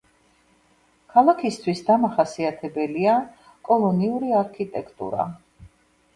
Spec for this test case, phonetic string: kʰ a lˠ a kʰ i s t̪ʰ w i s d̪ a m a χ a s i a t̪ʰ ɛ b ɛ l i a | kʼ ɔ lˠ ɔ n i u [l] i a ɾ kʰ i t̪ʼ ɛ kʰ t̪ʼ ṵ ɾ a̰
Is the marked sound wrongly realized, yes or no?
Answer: yes